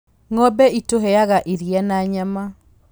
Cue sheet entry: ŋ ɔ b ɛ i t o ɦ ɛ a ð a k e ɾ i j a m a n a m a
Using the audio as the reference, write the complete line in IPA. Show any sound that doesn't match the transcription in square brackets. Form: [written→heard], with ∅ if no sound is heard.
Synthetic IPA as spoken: ŋ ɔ b ɛ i t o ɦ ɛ a [ð→ɣ] a [k→ʔ] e ɾ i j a [m→n] a [n→ɲ] a m a